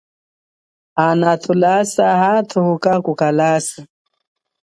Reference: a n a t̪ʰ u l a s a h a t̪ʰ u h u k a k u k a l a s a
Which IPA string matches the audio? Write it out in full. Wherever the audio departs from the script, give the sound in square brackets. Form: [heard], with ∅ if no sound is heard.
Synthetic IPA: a n a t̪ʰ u l a s a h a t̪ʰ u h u k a k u k a l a s a